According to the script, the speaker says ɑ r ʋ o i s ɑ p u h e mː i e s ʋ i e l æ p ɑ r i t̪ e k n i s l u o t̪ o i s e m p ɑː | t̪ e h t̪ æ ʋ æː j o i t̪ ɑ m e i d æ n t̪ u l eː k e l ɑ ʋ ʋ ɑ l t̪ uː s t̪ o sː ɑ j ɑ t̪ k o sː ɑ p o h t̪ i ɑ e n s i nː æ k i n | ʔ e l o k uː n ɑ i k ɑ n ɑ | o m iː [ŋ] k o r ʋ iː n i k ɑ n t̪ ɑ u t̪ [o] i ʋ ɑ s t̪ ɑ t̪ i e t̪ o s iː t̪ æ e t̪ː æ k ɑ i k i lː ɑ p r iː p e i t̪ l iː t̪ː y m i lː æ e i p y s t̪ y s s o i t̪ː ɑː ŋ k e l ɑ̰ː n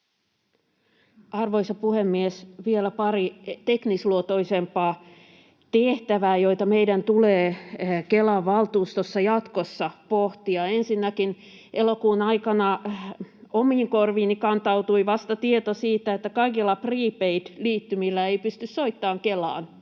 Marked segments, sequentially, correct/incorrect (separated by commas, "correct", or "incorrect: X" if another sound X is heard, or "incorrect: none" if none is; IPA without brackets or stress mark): correct, incorrect: u